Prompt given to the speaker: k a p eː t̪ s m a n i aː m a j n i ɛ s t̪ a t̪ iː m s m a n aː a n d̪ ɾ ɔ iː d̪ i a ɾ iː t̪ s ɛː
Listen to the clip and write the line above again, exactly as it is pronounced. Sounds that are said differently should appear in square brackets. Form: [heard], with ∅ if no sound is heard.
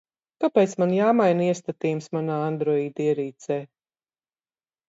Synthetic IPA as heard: k a p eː t̪ s m a n [j] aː m a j n i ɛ s t̪ a t̪ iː m s m a n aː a n d̪ ɾ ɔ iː d̪ i [ɛ] ɾ iː t̪ s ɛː